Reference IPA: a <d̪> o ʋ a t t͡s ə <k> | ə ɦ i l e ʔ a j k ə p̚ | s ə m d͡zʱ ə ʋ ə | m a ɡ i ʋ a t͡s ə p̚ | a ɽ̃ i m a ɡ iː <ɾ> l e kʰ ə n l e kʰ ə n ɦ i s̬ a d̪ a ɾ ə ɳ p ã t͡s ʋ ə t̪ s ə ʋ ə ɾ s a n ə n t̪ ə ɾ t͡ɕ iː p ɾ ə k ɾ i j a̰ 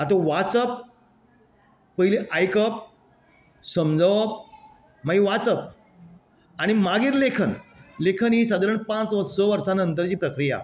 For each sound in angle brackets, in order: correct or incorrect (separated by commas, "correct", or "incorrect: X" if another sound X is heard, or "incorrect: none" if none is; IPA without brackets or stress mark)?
incorrect: t̪, incorrect: p, correct